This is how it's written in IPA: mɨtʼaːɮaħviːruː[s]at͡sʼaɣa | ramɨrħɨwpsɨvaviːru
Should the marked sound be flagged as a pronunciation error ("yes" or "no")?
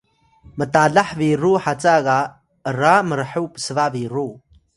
yes